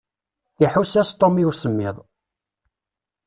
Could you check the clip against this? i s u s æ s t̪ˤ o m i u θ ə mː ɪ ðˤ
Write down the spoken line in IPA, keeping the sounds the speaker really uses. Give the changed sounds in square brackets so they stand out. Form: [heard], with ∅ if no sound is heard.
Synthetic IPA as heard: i [ħ] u s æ s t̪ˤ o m i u [s] ə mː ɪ ðˤ